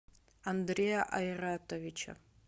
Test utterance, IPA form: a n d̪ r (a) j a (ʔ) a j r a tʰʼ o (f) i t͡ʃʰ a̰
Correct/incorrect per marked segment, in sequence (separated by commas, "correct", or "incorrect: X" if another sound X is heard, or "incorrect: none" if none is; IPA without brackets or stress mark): incorrect: e, correct, incorrect: v